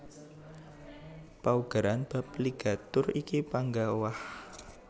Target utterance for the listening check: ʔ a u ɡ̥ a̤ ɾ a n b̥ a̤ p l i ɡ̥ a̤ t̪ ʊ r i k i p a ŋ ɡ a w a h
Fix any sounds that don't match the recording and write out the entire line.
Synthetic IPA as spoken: p a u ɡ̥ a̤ ɾ a n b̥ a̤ p l i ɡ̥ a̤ t̪ ʊ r i k i p a ŋ ɡ a w a h